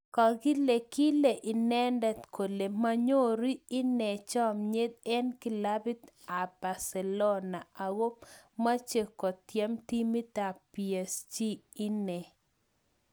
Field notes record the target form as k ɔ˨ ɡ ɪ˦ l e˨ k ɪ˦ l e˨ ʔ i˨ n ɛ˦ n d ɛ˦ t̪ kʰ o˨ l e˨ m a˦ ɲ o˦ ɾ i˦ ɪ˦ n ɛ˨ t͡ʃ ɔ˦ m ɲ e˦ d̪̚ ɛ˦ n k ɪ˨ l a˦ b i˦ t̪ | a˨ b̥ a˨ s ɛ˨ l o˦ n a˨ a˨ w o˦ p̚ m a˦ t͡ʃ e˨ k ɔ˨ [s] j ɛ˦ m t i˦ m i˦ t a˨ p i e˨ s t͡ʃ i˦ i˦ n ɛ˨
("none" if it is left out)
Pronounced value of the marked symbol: t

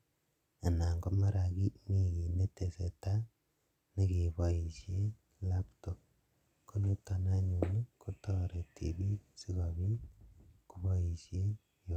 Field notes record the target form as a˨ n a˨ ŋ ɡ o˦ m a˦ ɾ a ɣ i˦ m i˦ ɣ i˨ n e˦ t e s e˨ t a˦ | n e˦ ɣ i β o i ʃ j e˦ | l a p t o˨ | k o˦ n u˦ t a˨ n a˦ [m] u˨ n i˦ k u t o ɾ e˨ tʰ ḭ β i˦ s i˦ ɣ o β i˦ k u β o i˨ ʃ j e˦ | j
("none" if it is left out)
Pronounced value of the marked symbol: ɲ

